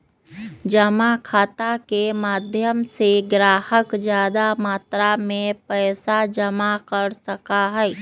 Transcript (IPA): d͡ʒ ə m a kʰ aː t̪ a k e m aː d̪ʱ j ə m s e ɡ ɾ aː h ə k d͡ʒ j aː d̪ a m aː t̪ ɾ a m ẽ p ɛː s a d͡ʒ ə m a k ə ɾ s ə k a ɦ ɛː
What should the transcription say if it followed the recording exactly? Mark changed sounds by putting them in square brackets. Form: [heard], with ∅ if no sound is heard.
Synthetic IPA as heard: d͡ʒ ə m a kʰ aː t̪ a k e m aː d̪ʱ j ə m s e ɡ ɾ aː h ə k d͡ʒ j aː d̪ a m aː t̪ ɾ a m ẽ p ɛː s a d͡ʒ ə m a k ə ɾ s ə k a ɦ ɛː